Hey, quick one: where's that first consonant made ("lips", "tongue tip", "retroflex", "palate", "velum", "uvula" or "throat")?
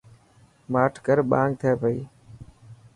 lips